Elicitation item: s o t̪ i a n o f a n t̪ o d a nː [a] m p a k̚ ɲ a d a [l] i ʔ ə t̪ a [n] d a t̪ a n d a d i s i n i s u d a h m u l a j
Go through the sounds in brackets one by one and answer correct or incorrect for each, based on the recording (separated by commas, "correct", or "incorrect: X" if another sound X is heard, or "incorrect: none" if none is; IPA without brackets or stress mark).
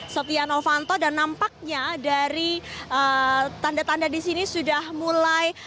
correct, incorrect: ɾ, correct